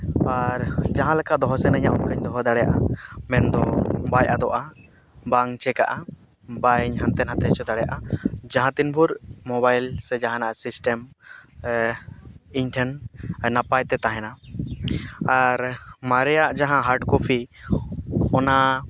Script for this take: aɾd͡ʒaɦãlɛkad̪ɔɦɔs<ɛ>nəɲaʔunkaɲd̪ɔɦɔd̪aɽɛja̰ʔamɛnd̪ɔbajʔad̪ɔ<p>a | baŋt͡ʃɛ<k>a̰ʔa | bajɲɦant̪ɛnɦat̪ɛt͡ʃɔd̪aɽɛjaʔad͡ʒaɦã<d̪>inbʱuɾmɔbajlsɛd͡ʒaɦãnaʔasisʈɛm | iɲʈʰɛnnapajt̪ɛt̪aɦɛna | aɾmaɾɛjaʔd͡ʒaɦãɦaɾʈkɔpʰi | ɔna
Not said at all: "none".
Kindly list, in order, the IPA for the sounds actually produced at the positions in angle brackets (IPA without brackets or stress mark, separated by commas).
ɛ, ʔ, k, t̪